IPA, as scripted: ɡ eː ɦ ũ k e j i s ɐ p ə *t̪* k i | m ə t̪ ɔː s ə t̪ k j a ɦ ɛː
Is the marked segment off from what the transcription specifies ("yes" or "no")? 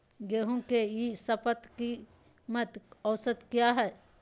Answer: no